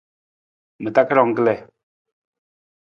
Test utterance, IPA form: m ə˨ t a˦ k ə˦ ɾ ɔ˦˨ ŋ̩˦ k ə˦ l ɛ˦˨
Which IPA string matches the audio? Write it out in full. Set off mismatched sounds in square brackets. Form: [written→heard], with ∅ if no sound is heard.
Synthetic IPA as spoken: m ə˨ t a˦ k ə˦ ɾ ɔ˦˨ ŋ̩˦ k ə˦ l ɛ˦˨